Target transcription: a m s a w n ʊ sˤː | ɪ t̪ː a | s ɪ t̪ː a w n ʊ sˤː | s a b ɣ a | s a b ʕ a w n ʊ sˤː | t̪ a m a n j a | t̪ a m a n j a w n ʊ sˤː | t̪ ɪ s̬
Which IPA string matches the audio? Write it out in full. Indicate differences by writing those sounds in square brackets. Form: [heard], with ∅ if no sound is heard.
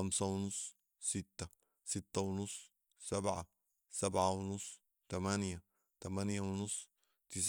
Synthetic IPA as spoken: a m s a w n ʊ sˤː | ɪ t̪ː a | s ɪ t̪ː a w n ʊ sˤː | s a b [ʕ] a | s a b ʕ a w n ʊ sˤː | t̪ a m a n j a | t̪ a m a n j a w n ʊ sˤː | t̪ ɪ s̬